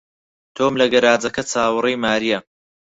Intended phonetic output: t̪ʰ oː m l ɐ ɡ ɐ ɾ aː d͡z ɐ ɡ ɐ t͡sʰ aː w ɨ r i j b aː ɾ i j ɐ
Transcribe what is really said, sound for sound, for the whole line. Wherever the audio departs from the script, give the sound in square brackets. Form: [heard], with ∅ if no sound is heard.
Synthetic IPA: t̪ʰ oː m l ɐ ɡ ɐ ɾ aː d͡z ɐ [k] ɐ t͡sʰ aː w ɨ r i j [m] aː ɾ i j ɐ